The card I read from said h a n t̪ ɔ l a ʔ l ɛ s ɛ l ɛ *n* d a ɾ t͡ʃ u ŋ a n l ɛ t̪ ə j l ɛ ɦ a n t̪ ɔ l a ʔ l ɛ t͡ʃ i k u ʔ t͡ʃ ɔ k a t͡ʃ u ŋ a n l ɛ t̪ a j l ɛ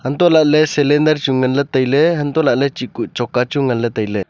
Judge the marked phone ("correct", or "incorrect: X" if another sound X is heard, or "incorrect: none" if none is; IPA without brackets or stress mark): correct